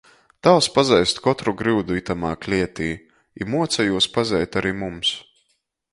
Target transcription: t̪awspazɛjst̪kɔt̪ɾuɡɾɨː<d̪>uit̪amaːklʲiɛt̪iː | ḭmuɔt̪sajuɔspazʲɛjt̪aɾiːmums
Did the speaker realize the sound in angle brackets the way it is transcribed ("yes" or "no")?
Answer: yes